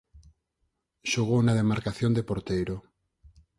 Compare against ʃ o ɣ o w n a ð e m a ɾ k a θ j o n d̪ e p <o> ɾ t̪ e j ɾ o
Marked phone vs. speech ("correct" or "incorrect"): correct